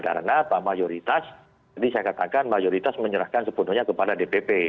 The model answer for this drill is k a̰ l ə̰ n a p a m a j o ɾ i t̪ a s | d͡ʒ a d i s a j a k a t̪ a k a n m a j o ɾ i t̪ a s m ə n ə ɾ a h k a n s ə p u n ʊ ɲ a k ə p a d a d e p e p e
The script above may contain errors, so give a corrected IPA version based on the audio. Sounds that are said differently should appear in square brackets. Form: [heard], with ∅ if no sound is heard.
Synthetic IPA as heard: k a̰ [ɾ] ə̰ n a p a m a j o ɾ i t̪ a s | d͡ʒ a d i s a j a k a t̪ a k a n m a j o ɾ i t̪ a s m ə [ɲ] ə ɾ a h k a n s ə p u n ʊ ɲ a k ə p a d a d e p e p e